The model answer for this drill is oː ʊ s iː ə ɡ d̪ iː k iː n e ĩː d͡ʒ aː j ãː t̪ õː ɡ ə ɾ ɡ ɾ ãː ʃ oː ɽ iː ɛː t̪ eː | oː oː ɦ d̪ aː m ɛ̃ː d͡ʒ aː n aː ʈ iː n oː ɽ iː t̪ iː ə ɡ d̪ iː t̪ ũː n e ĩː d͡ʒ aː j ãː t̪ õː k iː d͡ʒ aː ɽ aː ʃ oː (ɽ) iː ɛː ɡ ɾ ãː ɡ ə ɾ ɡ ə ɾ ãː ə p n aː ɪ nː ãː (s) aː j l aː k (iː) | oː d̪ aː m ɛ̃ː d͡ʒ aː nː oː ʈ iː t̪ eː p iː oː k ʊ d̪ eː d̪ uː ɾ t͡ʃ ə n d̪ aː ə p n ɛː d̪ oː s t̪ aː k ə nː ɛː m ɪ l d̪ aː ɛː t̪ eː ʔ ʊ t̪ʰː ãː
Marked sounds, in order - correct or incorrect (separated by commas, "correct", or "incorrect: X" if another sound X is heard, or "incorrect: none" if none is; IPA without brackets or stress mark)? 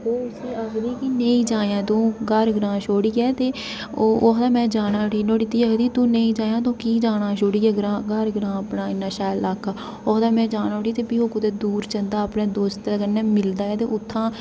correct, incorrect: ʃ, incorrect: aː